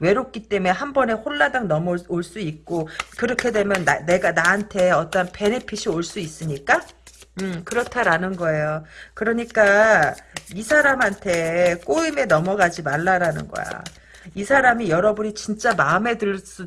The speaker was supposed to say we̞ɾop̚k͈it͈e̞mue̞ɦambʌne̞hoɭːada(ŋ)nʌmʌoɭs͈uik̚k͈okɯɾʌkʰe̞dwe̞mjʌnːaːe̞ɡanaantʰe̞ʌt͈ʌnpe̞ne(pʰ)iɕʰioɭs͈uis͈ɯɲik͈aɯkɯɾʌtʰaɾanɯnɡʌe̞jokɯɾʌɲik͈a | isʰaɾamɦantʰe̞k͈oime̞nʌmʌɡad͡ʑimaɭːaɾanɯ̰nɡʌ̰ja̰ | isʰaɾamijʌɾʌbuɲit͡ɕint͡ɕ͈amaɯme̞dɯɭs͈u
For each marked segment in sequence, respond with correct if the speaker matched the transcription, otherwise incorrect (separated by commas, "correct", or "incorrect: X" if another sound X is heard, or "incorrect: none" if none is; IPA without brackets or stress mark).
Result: correct, correct